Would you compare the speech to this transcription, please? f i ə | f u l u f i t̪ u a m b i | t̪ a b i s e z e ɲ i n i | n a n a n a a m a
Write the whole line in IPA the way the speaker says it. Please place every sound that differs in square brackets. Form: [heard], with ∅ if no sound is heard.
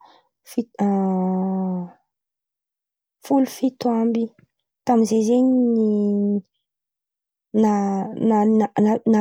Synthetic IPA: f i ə | f u l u f i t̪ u a m b i | t̪ a [m] i [z] e z e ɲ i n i | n a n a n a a [n] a